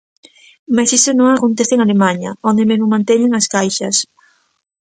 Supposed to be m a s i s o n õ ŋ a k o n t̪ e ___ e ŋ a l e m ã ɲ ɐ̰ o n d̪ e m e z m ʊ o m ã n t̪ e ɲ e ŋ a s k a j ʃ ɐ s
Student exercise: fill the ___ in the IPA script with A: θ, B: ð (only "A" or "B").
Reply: A